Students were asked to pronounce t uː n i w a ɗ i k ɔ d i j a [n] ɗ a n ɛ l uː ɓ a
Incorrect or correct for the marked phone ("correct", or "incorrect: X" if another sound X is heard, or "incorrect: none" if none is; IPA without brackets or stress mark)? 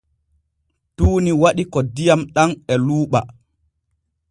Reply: incorrect: m